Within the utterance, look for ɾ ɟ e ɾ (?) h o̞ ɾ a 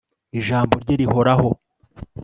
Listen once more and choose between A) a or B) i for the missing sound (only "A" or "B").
B